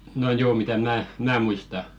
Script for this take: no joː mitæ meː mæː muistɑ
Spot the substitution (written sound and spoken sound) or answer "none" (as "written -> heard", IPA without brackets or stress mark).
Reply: eː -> æː